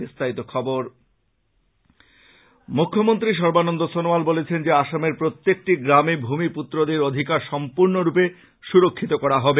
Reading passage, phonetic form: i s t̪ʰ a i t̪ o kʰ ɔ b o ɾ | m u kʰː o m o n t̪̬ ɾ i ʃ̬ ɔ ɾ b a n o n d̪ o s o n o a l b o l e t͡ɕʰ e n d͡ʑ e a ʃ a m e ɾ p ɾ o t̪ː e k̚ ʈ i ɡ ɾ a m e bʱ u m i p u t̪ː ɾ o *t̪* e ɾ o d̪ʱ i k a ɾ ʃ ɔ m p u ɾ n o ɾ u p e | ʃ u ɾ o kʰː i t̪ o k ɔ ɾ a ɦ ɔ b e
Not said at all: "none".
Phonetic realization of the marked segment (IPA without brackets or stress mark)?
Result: d̪